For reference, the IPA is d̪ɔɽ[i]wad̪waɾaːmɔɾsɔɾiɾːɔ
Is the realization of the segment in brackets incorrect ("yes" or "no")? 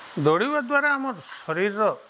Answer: no